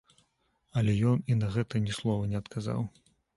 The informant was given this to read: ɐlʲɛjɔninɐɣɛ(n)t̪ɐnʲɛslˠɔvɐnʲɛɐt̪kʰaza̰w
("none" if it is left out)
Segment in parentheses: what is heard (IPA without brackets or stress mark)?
none